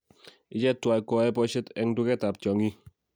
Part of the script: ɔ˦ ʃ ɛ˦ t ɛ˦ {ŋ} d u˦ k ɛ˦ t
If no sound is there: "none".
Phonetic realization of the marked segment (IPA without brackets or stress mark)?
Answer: ŋ